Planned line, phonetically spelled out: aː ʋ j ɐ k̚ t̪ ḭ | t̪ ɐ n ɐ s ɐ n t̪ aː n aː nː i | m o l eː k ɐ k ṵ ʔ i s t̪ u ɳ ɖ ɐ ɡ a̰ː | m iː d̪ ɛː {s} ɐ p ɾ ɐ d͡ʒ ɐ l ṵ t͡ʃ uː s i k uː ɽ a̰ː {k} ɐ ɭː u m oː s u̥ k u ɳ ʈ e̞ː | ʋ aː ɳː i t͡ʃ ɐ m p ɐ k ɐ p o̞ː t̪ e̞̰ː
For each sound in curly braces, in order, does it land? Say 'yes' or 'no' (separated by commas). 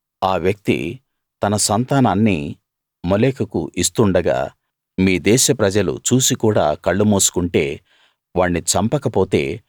no, yes